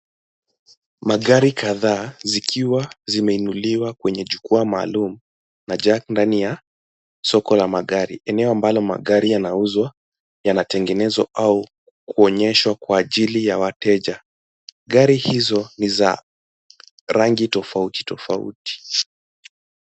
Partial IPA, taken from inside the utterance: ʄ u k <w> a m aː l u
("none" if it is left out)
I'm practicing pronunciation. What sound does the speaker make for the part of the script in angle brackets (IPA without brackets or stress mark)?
u